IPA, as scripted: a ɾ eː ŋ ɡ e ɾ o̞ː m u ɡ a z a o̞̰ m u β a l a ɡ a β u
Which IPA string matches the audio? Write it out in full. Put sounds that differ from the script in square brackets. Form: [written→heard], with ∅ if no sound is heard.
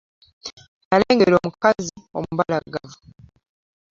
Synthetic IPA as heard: a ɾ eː ŋ ɡ e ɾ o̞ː m u [ɡ→k] a z [a→i] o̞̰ m u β a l a ɡ a [β→v] u